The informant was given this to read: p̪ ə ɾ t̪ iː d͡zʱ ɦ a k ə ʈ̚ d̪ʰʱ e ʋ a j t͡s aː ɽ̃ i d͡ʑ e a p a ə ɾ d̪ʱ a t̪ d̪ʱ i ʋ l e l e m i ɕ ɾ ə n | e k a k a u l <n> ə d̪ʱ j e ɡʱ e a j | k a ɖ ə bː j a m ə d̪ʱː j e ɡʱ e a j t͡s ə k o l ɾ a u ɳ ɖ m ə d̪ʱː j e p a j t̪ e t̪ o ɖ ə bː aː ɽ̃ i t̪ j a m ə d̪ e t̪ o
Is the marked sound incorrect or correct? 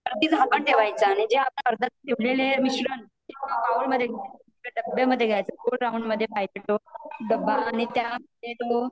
incorrect